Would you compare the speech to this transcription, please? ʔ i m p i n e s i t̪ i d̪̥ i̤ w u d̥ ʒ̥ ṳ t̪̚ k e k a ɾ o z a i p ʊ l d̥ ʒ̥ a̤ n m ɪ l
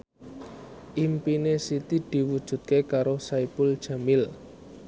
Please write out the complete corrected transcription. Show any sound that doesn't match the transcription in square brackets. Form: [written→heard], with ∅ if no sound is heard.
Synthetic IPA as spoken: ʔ i m p i n e s i t̪ i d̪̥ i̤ w u d̥ ʒ̥ ṳ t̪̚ k e k a ɾ o [z→s] a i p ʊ l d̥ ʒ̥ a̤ [n→∅] m ɪ l